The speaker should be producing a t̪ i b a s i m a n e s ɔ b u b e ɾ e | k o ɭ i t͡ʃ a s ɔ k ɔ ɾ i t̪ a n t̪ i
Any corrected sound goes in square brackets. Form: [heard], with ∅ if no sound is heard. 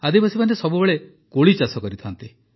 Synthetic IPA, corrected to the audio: a [d̪] i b a s i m a n e s ɔ b u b e [ɭ] e | k o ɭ i t͡ʃ a s ɔ k ɔ ɾ i [t̪ʰ] a n t̪ i